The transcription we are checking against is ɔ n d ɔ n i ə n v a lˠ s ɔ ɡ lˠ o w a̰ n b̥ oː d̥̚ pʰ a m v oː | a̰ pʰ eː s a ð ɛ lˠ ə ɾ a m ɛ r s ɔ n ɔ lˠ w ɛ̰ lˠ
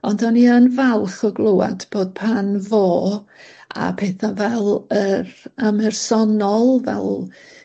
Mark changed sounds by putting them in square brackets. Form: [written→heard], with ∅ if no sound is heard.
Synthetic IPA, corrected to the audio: ɔ n d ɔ n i ə n v a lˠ [s→χ] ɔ ɡ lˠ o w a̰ [n→d] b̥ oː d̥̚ pʰ a [m→n] v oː | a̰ pʰ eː [s→θ] a [ð→v] ɛ lˠ ə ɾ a m ɛ r s ɔ n ɔ lˠ [w→v] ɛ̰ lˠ